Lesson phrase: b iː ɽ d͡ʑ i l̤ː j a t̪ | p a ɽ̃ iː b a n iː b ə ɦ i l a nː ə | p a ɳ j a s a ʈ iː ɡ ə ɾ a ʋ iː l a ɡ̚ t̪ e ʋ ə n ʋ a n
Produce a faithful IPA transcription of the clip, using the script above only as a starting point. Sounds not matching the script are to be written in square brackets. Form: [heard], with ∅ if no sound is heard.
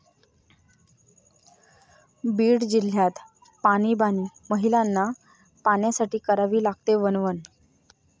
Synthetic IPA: b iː ɽ d͡ʑ i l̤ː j a t̪ | p a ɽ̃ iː b a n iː [m] ə ɦ i l a nː [a] | p a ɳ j a s a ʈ iː [k] ə ɾ a ʋ iː l a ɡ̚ t̪ e ʋ ə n ʋ [ə] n